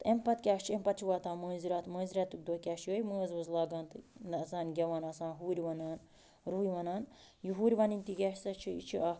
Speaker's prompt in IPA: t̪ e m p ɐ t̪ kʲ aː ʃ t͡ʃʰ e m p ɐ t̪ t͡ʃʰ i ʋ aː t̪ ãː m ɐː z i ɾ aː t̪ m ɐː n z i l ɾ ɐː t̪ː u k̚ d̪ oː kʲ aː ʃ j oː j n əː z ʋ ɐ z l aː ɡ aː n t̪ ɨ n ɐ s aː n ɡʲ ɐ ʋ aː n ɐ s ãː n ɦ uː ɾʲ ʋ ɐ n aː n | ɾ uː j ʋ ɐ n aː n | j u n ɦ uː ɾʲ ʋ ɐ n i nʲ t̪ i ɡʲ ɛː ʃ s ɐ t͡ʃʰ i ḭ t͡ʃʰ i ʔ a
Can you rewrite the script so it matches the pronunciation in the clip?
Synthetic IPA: t̪ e m p ɐ t̪ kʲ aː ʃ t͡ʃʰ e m p ɐ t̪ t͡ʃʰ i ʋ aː t̪ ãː m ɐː z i ɾ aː t̪ m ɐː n z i ɾ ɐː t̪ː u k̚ d̪ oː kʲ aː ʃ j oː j m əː z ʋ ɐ z l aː ɡ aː n t̪ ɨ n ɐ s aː n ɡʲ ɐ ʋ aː n ɐ s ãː n ɦ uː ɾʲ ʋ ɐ n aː n | ɾ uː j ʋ ɐ n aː n | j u ɦ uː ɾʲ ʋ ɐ n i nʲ t̪ i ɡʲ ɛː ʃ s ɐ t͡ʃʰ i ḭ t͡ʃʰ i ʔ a